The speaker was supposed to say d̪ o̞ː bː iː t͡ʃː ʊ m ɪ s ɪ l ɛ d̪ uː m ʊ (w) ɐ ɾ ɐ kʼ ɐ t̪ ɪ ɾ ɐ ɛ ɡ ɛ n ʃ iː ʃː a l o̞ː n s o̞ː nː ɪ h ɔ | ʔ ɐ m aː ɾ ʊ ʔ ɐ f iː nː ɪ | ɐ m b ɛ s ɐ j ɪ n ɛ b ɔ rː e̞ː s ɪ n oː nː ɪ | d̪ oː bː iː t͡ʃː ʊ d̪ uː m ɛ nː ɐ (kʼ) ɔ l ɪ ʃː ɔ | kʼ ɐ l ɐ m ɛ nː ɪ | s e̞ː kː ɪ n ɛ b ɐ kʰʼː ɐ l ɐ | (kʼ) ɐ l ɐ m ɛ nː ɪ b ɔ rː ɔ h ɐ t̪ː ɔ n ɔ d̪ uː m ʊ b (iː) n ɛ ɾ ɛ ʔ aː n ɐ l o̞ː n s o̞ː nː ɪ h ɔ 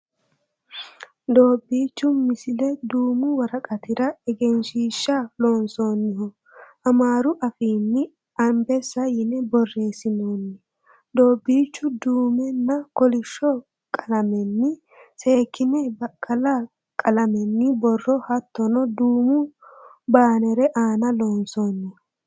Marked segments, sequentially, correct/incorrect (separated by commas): correct, incorrect, correct, incorrect